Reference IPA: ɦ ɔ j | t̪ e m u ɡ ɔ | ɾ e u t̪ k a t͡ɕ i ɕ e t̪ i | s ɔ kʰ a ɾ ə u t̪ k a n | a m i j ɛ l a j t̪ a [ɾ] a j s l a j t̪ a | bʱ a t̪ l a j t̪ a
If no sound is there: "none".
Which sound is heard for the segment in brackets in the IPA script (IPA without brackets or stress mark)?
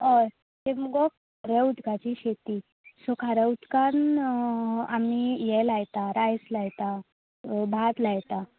ɾ